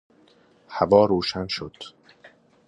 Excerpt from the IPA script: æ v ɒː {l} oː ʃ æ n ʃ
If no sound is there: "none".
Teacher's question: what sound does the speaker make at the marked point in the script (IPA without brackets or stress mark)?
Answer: ɾ